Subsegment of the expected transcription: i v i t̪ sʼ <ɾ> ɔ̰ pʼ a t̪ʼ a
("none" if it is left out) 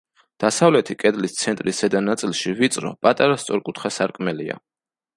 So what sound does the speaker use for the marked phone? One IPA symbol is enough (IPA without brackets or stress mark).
ɾ